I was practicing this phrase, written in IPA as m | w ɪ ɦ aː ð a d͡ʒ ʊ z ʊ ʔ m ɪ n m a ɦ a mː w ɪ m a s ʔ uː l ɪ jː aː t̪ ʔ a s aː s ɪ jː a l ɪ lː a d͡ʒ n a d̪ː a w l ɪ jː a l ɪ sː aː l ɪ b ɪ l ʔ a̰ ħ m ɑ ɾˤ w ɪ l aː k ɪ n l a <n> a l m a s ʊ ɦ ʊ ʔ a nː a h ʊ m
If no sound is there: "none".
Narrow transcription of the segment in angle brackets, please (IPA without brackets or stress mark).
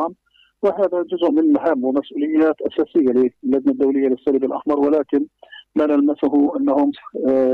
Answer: n